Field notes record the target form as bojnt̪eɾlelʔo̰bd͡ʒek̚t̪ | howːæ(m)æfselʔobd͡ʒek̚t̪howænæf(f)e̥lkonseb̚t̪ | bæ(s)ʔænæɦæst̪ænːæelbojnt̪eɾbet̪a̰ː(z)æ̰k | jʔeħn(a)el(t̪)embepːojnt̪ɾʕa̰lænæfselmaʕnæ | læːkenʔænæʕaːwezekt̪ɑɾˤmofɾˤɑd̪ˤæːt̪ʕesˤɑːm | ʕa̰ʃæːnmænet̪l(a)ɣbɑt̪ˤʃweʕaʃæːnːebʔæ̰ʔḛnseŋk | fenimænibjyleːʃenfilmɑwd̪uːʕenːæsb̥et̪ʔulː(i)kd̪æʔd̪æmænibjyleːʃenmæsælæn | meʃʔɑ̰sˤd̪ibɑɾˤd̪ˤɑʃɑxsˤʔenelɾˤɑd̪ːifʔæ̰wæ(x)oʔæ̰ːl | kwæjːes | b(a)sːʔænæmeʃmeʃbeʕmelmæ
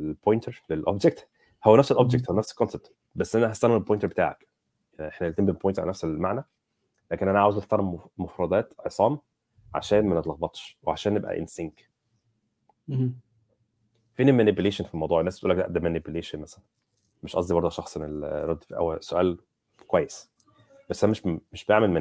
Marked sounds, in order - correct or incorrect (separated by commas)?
incorrect, incorrect, incorrect, incorrect, incorrect, correct, incorrect, incorrect, incorrect, incorrect